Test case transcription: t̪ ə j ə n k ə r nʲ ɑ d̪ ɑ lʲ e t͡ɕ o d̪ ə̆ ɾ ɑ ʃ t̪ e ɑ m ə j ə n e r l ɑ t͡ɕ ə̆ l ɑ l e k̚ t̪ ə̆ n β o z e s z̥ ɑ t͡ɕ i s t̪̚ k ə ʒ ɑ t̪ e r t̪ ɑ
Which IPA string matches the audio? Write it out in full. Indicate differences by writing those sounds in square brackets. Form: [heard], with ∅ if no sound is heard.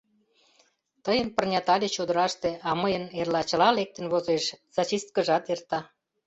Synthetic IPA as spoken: t̪ ə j ə n [p] ə r nʲ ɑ [t̪] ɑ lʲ e t͡ɕ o d̪ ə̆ ɾ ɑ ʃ t̪ e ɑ m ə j ə n e r l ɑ t͡ɕ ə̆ l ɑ l e k̚ t̪ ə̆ n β o z e [ʃ] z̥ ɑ t͡ɕ i s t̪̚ k ə ʒ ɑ t̪ e r t̪ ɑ